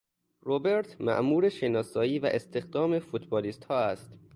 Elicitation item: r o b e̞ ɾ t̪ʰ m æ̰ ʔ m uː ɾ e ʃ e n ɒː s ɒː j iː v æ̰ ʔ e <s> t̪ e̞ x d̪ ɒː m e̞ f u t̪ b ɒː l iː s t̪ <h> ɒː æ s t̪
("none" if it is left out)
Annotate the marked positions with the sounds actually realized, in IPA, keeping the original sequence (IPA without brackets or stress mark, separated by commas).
s, h